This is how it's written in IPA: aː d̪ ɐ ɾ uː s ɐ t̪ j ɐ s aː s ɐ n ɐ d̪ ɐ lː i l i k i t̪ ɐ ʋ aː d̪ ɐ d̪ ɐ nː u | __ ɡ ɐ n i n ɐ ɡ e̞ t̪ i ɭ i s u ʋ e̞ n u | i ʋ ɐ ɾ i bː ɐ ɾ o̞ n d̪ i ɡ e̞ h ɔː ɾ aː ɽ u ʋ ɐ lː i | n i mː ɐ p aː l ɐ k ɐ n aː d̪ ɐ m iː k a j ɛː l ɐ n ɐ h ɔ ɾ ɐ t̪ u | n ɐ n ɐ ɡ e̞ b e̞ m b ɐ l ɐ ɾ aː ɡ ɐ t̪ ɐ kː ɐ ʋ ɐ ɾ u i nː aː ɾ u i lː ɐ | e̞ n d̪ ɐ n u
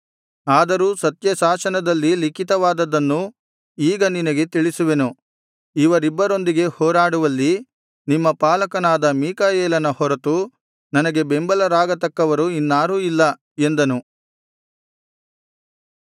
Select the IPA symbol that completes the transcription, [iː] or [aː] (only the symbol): iː